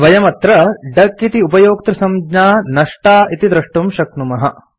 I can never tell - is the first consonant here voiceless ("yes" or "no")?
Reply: no